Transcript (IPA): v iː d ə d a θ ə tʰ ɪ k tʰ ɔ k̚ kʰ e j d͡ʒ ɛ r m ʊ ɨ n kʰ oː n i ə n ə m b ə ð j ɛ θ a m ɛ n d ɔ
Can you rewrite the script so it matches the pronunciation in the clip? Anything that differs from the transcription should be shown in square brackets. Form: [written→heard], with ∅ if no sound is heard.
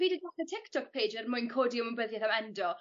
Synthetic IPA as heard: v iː d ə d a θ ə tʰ ɪ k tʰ ɔ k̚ [kʰ→pʰ] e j d͡ʒ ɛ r m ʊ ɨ n kʰ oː [n→d] i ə [n→m] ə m b ə ð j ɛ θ a m ɛ n d ɔ